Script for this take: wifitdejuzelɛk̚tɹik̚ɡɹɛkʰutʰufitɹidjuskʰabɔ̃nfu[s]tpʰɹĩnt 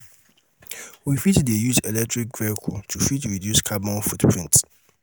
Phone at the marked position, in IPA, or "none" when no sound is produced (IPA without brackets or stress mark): none